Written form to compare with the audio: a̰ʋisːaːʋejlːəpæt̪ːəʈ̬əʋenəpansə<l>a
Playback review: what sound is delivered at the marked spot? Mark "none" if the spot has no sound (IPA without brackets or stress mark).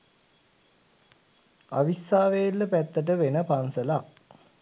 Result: l